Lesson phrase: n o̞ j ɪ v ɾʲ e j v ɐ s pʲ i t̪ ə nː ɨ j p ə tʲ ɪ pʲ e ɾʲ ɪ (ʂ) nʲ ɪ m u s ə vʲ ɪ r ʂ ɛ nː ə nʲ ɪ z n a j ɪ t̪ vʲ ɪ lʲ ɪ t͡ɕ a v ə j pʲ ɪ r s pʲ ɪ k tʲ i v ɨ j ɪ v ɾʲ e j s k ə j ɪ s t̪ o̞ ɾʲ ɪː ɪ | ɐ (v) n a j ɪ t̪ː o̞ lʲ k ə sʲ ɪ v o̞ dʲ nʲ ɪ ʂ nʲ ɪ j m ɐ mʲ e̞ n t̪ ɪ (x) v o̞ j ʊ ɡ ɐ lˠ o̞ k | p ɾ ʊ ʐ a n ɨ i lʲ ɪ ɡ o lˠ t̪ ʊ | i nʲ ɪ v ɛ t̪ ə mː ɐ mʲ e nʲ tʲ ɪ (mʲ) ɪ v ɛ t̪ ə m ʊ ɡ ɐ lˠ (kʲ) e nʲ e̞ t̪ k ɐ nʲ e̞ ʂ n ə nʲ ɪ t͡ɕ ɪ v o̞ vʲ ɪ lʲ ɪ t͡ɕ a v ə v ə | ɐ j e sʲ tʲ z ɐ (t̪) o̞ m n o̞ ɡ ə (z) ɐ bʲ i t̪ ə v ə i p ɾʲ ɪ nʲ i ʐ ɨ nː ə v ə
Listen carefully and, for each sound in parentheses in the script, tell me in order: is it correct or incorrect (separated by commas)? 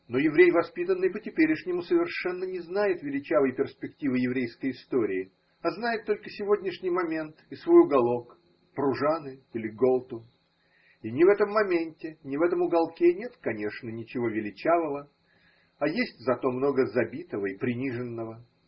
correct, incorrect, incorrect, incorrect, correct, correct, correct